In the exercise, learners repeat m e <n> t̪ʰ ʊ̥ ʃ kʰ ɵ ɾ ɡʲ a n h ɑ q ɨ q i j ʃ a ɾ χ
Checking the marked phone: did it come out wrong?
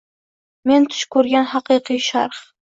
no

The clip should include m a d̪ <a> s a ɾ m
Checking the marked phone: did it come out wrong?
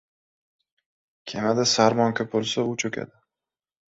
no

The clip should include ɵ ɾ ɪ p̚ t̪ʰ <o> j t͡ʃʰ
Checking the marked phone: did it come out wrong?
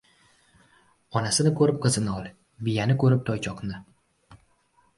yes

